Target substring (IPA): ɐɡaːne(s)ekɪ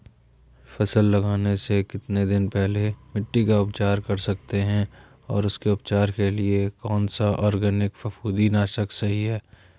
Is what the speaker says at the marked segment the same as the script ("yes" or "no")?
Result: yes